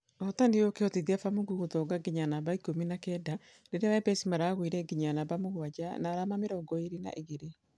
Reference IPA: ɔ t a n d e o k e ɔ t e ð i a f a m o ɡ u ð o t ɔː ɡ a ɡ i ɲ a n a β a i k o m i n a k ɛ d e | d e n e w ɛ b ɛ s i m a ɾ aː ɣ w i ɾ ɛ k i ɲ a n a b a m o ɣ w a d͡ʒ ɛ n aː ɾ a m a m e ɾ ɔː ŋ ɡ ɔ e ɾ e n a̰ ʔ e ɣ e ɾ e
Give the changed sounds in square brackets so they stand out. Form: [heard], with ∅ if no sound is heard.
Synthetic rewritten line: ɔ t a n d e o k e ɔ t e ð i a f a m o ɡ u [ɣ] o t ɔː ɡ a ɡ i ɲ a n a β a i k o m i n a k ɛ d [a] | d e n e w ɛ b ɛ s i m a ɾ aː ɣ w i ɾ ɛ [ɡ] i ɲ a n a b a m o ɣ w a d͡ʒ [a] n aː ɾ a m a m e ɾ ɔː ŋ ɡ ɔ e ɾ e n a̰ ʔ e ɣ e ɾ e